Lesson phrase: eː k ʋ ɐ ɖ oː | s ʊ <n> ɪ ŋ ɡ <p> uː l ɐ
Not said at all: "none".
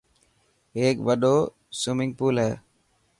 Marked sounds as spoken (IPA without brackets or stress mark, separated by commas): m, p